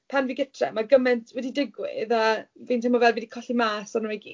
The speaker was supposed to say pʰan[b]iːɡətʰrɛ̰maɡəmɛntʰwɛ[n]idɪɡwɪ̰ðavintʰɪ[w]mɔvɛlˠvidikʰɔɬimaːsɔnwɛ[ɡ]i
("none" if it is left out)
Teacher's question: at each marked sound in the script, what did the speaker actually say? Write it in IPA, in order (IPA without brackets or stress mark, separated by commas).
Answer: v, d, none, ɡ